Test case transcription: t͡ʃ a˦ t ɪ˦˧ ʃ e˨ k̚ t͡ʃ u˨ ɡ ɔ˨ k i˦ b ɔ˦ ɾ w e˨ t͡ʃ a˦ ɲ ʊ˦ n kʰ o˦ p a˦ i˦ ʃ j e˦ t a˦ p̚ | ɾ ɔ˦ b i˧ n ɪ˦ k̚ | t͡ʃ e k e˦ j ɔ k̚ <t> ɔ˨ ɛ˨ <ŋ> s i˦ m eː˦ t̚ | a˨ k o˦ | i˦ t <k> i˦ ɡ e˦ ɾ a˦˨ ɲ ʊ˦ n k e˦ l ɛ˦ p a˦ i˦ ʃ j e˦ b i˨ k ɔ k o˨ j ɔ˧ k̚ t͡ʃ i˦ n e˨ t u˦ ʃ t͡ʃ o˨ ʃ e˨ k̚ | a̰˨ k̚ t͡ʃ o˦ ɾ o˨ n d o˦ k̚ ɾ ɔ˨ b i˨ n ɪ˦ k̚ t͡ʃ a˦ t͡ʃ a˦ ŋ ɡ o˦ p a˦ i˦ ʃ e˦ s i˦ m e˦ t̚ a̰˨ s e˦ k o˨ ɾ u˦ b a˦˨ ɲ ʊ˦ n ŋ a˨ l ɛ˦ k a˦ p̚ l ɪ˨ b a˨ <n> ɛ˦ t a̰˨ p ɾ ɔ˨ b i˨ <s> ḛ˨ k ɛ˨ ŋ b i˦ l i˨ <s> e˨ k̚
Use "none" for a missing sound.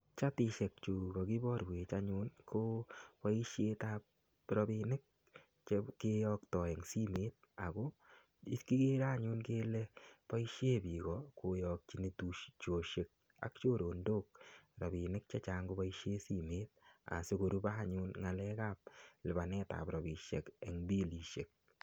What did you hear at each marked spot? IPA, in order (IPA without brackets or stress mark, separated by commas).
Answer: t, ŋ, k, n, ʃ, ʃ